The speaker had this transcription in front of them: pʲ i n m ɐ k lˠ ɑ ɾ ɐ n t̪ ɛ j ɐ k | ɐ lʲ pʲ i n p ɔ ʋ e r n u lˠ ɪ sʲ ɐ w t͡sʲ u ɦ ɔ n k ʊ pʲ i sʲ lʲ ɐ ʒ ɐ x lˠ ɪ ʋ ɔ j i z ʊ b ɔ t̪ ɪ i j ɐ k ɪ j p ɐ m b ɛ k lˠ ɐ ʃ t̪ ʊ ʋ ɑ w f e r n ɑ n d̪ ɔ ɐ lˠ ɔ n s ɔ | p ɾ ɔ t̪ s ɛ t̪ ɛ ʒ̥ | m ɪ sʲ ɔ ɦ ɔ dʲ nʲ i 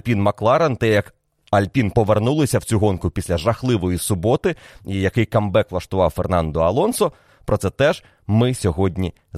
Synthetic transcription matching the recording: pʲ i n m ɐ k lˠ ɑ ɾ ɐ n t̪ ɛ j ɐ k | ɐ lʲ pʲ i n p ɔ ʋ e r n u lˠ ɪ sʲ ɐ w t͡sʲ u ɦ ɔ n k ʊ pʲ i sʲ lʲ ɐ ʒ ɐ x lˠ ɪ ʋ ɔ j i s ʊ b ɔ t̪ ɪ i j ɐ k ɪ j k ɐ m b ɛ k lˠ ɐ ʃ t̪ ʊ ʋ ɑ w f e r n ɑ n d̪ ɔ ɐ lˠ ɔ n s ɔ | p ɾ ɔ t̪ s ɛ t̪ ɛ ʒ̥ | m ɪ sʲ ɔ ɦ ɔ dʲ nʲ i